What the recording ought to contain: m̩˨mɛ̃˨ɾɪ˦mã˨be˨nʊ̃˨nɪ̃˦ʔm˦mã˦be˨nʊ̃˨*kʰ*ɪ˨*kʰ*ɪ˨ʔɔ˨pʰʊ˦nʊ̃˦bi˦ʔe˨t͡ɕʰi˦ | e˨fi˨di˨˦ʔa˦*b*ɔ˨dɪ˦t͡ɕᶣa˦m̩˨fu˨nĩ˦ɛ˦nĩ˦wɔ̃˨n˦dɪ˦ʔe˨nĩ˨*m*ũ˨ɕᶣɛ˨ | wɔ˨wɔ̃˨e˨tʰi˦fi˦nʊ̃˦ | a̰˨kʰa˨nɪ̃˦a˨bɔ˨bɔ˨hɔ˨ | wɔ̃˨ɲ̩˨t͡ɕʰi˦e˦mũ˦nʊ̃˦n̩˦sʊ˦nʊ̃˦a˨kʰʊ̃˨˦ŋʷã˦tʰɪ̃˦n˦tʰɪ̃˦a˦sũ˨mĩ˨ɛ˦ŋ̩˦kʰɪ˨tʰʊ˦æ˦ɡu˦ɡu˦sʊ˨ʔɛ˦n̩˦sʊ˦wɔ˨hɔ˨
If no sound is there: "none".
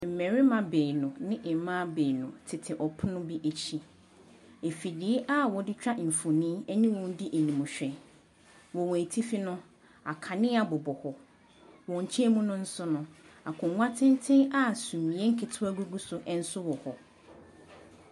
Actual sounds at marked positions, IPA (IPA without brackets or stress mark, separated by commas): tʰ, tʰ, w, m